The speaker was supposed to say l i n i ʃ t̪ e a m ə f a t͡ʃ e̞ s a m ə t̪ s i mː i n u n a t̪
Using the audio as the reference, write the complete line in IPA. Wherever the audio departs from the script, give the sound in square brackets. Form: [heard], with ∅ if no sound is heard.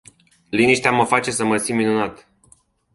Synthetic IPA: l i n i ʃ t̪ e a m ə f a t͡ʃ e̞ s [ə] m ə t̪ s i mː i n u n a t̪